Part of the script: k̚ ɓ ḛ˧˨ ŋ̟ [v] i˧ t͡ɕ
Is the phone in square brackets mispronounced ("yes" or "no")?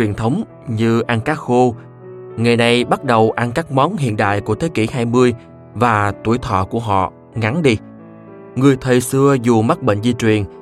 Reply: yes